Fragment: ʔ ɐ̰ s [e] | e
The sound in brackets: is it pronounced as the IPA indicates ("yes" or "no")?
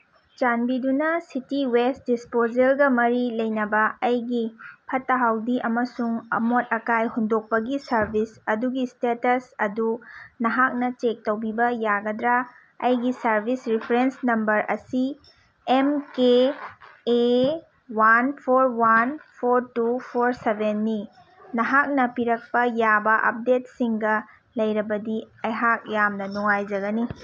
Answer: no